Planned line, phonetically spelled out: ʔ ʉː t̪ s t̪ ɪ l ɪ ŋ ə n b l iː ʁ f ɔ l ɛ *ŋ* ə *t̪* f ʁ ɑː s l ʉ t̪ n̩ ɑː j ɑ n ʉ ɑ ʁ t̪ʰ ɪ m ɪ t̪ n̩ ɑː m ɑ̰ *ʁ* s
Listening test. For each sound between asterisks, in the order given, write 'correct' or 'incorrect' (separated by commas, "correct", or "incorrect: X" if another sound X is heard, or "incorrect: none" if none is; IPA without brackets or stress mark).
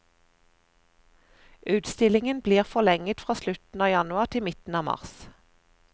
correct, correct, correct